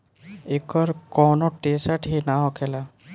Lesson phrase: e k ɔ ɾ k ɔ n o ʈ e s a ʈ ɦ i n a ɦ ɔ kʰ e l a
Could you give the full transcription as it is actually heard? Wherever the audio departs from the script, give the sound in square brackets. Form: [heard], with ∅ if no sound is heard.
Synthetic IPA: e k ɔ ɾ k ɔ n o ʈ e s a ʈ ɦ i n a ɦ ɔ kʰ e l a